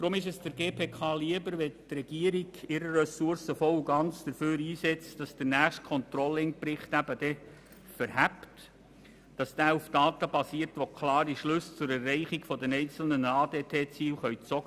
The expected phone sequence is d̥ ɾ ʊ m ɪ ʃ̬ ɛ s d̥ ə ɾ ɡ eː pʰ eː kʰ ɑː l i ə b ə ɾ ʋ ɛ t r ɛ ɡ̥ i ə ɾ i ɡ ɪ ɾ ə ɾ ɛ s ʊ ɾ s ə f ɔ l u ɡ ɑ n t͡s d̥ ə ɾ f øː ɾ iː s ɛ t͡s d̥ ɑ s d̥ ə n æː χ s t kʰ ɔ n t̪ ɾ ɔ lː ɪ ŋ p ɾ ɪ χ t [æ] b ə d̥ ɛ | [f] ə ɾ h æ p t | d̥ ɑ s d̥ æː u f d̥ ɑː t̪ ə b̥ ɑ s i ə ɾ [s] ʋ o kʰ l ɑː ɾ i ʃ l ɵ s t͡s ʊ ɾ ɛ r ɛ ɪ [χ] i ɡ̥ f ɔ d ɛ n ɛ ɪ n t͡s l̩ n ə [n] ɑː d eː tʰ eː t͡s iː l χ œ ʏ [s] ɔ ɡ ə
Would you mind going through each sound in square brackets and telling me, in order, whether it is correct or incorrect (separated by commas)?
correct, correct, incorrect, correct, correct, incorrect